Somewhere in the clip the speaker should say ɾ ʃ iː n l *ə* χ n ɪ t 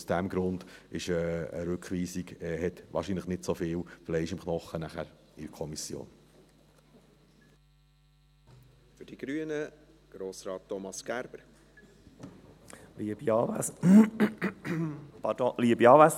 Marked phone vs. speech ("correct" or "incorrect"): correct